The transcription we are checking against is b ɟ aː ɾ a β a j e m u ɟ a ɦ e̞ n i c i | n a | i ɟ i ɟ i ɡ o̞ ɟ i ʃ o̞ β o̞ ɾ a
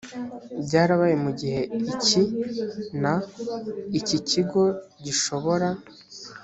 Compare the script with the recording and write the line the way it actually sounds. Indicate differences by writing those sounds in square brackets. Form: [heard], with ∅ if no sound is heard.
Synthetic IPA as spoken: b ɟ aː ɾ a β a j e m u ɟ [i] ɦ e̞ [∅] i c i | n a | i [c] i [c] i ɡ o̞ ɟ i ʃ o̞ β o̞ ɾ a